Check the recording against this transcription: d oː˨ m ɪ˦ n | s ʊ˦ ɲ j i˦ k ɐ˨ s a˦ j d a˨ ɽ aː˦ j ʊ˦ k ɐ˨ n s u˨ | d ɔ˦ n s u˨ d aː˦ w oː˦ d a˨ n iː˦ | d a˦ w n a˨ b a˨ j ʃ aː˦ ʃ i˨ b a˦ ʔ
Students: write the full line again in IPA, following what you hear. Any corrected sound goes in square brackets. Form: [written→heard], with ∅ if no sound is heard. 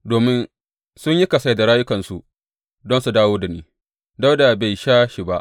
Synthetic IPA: d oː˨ m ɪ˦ n | s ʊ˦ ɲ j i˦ k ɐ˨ s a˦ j d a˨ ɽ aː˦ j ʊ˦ k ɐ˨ n s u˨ | d ɔ˦ n s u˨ d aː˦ w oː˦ d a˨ n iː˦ | d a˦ w [n→d] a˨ b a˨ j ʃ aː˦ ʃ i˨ b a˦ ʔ